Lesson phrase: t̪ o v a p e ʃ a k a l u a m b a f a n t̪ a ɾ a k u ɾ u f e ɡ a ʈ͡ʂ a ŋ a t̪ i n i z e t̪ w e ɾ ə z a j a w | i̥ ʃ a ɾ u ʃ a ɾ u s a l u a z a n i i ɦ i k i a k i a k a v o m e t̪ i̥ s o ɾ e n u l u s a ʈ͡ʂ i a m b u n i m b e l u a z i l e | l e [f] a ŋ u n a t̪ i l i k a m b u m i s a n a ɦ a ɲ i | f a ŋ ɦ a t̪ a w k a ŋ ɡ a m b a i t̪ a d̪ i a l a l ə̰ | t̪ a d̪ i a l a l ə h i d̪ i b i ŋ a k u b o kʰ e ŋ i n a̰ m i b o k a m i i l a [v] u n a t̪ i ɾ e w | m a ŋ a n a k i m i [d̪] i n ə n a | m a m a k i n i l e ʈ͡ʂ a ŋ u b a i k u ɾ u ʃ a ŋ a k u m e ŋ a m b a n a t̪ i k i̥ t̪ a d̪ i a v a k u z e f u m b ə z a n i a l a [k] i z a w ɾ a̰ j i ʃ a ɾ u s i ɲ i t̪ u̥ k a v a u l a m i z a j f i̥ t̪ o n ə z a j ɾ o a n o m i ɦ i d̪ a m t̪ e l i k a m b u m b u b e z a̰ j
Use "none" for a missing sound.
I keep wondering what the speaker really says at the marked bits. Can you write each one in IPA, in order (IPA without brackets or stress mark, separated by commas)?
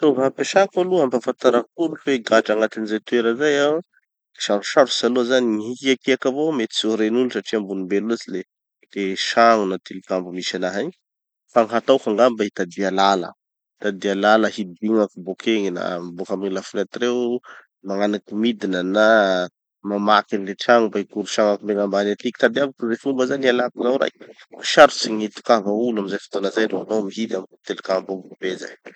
ʃ, f, d̪, k